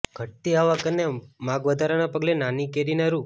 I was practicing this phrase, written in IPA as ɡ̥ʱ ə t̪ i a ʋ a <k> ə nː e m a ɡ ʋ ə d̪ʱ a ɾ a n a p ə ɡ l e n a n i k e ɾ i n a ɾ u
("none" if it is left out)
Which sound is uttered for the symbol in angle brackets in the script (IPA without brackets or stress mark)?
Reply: k